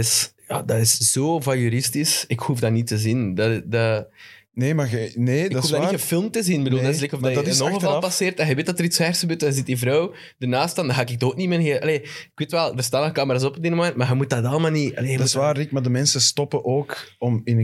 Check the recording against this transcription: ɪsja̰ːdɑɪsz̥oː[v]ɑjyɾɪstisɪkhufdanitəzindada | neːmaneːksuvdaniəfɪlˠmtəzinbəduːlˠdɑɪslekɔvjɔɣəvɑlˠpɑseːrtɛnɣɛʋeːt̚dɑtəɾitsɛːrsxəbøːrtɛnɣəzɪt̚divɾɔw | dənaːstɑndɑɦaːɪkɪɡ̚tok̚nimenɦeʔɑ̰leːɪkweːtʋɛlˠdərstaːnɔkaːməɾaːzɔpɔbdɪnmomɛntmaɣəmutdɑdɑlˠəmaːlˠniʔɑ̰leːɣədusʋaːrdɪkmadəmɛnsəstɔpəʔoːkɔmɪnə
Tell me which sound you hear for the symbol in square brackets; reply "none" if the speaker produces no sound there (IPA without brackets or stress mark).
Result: v